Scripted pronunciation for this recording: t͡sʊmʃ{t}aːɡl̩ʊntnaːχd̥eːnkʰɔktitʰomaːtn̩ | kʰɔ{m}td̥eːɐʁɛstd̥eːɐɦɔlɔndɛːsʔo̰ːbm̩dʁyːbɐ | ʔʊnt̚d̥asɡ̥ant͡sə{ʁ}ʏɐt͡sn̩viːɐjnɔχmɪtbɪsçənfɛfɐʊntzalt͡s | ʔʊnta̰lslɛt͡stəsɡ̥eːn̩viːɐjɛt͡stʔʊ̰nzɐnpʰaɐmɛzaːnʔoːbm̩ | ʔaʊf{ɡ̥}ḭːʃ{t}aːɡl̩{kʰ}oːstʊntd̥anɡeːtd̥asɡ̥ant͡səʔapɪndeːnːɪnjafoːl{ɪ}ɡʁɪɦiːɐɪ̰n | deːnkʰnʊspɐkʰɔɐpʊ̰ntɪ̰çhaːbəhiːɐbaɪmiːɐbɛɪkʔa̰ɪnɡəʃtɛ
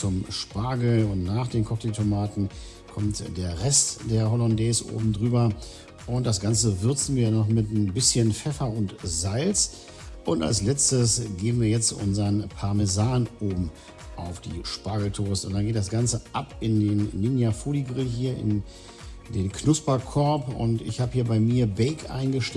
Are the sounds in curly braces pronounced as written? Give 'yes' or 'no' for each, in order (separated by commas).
no, yes, no, no, no, no, no